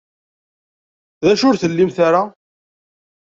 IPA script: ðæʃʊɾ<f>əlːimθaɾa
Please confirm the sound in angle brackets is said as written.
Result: no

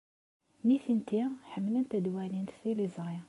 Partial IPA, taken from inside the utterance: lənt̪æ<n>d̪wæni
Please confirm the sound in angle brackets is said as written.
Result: no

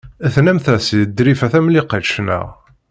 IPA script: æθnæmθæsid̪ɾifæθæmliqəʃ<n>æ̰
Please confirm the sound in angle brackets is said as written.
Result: yes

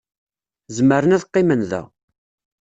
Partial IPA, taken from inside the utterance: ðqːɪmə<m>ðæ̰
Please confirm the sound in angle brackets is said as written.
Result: no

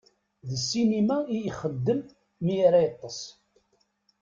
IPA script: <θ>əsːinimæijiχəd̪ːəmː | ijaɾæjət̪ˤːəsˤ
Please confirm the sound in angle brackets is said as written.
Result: no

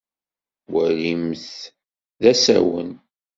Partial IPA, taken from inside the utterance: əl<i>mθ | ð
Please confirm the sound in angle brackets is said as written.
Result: yes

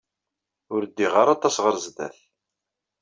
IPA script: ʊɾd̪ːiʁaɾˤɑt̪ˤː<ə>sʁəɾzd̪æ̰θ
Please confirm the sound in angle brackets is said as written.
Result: no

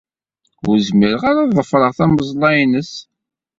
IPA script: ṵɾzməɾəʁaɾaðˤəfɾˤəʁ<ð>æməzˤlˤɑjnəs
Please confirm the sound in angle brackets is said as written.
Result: no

